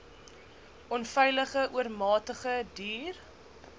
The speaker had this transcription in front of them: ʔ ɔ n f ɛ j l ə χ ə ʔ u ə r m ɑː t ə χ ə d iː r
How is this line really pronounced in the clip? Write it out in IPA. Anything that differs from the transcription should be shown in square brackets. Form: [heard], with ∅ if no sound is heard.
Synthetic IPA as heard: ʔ ɔ n f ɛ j l ə χ ə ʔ u ə r m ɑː t ə χ ə d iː r

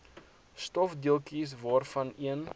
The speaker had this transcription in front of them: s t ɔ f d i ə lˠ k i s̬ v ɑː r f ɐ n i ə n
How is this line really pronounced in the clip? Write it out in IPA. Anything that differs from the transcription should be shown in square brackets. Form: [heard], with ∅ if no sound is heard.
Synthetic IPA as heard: s t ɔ f d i ə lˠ k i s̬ v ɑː r f ɐ n i ə n

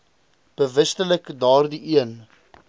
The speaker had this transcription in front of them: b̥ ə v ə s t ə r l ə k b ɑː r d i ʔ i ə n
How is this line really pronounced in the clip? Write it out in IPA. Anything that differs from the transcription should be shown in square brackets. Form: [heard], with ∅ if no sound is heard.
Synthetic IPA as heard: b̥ ə v ə s t ə [∅] l ə k [d] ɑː r d i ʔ i ə n

